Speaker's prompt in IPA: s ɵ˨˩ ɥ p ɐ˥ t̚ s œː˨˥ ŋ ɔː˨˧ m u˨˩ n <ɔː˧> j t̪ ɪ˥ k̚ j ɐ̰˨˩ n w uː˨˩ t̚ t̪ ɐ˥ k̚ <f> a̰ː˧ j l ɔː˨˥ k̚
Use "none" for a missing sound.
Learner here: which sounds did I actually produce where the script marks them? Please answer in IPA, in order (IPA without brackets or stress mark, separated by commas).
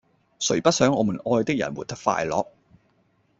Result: ɔː˧, f